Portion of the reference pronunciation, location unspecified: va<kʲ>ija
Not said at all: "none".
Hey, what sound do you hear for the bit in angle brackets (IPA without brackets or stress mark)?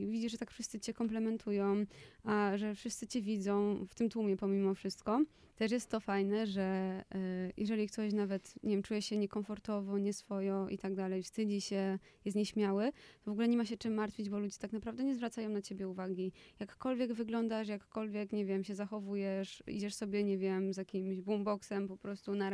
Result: ɡʲ